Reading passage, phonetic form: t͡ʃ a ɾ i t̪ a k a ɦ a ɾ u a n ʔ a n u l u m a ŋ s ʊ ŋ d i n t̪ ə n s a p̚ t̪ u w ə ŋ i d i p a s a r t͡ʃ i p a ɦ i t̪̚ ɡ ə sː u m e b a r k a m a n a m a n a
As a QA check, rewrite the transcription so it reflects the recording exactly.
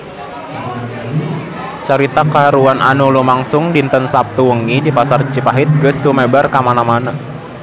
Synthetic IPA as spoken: t͡ʃ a ɾ i t̪ a k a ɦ a ɾ u a n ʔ a n u l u m a ŋ s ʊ ŋ d i n t̪ ə n s a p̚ t̪ u w ə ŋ i d i p a s a r t͡ʃ i p a ɦ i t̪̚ ɡ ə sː u m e b a r k a m a n a m a n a

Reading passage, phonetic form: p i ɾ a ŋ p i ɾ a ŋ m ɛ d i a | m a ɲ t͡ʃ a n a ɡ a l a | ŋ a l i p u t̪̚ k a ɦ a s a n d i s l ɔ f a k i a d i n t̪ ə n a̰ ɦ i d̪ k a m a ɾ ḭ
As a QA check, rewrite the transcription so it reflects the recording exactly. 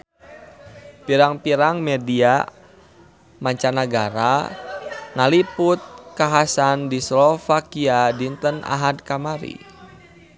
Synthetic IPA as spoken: p i ɾ a ŋ p i ɾ a ŋ m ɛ d i a | m a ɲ t͡ʃ a n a ɡ a ɾ a | ŋ a l i p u t̪̚ k a ɦ a s a n d i s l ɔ f a k i a d i n t̪ ə n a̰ ɦ a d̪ k a m a ɾ ḭ

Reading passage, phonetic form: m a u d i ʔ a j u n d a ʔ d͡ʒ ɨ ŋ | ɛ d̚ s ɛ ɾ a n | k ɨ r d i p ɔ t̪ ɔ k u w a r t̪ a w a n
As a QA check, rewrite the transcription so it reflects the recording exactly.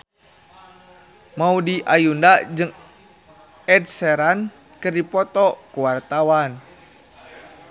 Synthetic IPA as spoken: m a u d i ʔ a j u n d a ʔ d͡ʒ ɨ ŋ | ɛ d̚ s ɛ ɾ a n | k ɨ r d i p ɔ t̪ ɔ k u w a r t̪ a w a n

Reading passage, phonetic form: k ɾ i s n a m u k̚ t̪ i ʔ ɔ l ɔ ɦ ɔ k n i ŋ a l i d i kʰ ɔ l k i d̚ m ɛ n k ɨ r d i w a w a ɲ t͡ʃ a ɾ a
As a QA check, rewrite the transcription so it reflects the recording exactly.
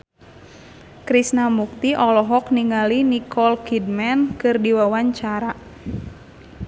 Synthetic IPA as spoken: k ɾ i s n a m u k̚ t̪ i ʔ ɔ l ɔ ɦ ɔ k n i ŋ a l i n i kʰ ɔ l k i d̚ m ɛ n k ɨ r d i w a w a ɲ t͡ʃ a ɾ a

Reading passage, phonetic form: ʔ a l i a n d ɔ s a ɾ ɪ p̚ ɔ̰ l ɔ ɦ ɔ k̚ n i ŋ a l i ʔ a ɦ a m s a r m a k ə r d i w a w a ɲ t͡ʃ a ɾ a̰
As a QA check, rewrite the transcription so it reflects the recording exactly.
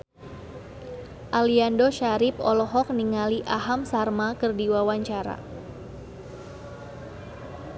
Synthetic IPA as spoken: ʔ a l i a n d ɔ ʃ a ɾ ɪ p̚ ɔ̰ l ɔ ɦ ɔ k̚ n i ŋ a l i ʔ a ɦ a m s a r m a k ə r d i w a w a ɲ t͡ʃ a ɾ a̰

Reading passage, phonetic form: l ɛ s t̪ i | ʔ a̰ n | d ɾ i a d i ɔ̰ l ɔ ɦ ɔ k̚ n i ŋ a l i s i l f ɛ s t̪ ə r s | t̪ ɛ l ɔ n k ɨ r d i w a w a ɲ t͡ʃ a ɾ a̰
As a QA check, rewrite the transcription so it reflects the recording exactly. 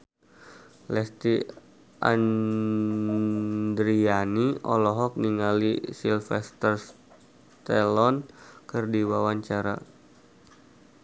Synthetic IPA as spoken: l ɛ s t̪ i | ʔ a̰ n | d ɾ i a n i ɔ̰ l ɔ ɦ ɔ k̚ n i ŋ a l i s i l f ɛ s t̪ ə r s | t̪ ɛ l ɔ n k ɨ r d i w a w a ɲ t͡ʃ a ɾ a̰

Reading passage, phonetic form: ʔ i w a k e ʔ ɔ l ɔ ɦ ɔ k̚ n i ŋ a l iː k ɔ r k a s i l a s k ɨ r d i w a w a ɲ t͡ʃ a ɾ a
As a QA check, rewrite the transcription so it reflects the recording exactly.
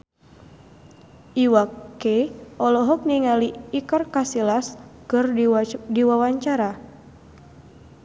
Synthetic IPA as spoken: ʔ i w a k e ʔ ɔ l ɔ ɦ ɔ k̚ n i ŋ a l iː k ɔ r k a s i l a s k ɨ r d i w a w a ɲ t͡ʃ a ɾ a

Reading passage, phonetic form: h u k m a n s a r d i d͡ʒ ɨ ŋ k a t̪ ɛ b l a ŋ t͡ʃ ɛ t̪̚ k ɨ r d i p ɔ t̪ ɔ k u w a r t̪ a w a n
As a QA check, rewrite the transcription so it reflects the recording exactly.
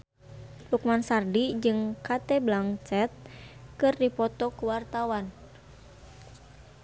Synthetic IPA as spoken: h u k m a n s a r d i d͡ʒ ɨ ŋ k a t̪ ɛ b l a ŋ t͡ʃ ɛ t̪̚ k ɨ r d i p ɔ t̪ ɔ k u w a r t̪ a w a n

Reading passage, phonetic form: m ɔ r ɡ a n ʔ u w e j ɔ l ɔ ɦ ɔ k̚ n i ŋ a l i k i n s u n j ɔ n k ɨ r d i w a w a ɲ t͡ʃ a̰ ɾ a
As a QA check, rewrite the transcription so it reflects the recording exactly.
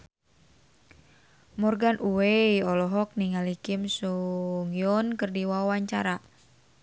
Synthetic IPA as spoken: m ɔ r ɡ a n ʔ u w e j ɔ l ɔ ɦ ɔ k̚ n i ŋ a l i k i m s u ŋ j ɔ n k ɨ r d i w a w a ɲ t͡ʃ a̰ ɾ a

